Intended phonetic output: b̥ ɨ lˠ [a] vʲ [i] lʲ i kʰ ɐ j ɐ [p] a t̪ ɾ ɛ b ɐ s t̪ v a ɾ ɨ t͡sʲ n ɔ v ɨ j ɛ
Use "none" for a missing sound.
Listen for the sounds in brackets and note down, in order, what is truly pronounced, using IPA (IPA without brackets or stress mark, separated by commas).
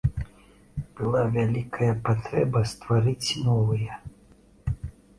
a, a, p